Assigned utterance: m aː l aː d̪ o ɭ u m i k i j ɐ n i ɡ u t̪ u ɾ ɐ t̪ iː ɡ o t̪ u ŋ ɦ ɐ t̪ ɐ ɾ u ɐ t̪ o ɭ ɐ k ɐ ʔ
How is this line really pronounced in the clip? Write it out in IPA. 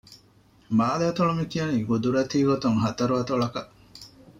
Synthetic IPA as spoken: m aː l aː t̪ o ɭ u m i k i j ɐ n i ɡ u d̪ u ɾ ɐ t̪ iː ɡ o t̪ u ŋ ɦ ɐ t̪ ɐ ɾ u ɐ t̪ o ɭ ɐ k ɐ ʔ